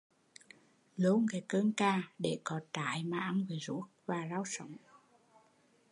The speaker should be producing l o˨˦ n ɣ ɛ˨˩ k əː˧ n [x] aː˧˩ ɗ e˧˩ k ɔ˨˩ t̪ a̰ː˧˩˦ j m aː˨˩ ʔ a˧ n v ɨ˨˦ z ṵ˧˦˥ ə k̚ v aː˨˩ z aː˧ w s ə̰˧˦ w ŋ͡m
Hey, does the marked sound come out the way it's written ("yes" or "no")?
no